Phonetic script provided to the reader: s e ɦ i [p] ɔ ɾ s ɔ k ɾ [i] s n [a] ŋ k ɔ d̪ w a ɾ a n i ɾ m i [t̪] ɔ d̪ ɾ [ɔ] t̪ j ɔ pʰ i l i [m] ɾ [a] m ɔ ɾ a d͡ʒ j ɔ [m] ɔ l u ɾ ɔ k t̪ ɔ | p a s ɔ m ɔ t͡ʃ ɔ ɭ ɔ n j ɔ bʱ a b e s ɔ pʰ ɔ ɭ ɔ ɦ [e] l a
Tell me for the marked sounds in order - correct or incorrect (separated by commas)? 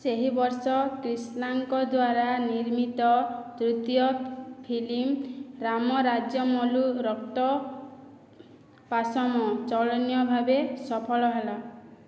incorrect, correct, correct, correct, incorrect, correct, correct, correct, correct